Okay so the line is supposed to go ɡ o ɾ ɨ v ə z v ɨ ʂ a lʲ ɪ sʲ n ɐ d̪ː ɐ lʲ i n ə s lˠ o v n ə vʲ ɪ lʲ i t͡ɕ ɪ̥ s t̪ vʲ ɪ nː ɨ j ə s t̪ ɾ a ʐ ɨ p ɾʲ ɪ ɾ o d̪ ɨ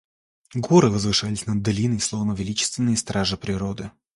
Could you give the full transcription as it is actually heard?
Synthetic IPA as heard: ɡ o ɾ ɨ v ə z v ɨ ʂ a lʲ ɪ sʲ n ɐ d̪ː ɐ lʲ i n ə s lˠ o v n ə vʲ ɪ lʲ i t͡ɕ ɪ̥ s t̪ vʲ ɪ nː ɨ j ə s t̪ ɾ a ʐ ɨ p ɾʲ ɪ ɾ o d̪ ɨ